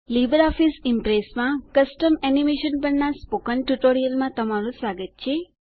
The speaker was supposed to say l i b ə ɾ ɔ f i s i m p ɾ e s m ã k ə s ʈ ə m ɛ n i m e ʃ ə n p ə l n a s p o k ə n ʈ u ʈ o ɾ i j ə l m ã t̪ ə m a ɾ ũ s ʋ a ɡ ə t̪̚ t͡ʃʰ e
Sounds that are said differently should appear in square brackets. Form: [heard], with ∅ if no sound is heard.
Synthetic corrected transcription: l i b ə ɾ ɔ f i s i m p ɾ e s m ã k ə s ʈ ə m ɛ n i m e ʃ ə n p ə [ɾ] n a s p o k ə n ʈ u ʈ o ɾ i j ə l m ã t̪ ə m a ɾ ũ s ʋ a ɡ ə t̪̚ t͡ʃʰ e

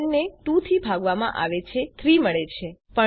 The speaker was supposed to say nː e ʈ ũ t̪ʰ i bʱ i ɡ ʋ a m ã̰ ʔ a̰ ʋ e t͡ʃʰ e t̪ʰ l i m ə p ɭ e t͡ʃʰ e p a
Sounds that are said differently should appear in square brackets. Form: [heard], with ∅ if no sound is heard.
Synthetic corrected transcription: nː e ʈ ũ t̪ʰ i bʱ [a] ɡ ʋ a m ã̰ ʔ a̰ ʋ e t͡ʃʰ e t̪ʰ [ɾ] i m ə [∅] ɭ e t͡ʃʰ e p [ə]

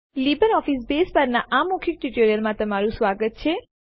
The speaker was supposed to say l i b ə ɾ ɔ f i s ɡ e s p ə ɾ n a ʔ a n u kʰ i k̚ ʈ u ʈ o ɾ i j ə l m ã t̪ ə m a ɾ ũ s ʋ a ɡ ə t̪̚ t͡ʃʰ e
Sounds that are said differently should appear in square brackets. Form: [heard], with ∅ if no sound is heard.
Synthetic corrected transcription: l i b ə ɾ ɔ f i s [b] e s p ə ɾ n a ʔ a [m] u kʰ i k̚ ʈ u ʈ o ɾ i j ə l m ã t̪ ə m a ɾ ũ s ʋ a ɡ ə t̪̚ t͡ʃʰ e

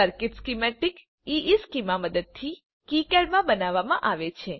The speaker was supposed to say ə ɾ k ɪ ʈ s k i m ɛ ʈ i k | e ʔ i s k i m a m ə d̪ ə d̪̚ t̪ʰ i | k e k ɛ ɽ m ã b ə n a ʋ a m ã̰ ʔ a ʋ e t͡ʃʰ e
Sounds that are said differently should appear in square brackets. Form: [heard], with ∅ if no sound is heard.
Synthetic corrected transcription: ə ɾ k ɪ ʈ s k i m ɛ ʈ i k | [i] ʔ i s k i m a m ə d̪ ə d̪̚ t̪ʰ i | k [i] k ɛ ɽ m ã b ə n a ʋ a m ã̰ ʔ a ʋ e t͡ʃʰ e

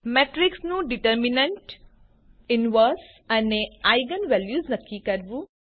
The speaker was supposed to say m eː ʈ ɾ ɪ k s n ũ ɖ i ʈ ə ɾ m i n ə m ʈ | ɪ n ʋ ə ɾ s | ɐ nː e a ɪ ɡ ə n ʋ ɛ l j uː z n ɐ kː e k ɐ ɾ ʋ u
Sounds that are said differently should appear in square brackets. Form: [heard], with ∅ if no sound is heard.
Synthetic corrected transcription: m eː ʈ ɾ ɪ k s n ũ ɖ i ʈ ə ɾ m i n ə [ɳ] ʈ | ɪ n ʋ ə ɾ s | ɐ [n] e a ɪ ɡ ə n ʋ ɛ l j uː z n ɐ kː [i] k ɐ ɾ ʋ u

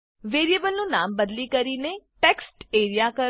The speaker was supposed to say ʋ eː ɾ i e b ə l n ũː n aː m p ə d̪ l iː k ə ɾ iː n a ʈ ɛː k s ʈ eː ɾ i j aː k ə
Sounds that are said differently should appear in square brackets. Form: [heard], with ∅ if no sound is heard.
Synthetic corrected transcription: ʋ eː ɾ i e b ə l n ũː n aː m [b] ə d̪ l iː k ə ɾ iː n [e] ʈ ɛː k s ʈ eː ɾ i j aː k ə

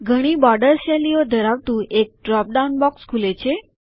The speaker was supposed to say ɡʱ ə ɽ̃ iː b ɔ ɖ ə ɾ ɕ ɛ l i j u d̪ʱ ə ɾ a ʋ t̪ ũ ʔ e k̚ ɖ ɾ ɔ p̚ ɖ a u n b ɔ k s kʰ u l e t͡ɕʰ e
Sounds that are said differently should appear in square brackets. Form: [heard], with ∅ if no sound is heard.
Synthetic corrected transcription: ɡʱ ə ɽ̃ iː b ɔ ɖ ə ɾ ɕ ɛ l i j [o] d̪ʱ ə ɾ a ʋ t̪ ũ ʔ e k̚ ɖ ɾ ɔ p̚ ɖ a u n b ɔ k s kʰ u l e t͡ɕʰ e

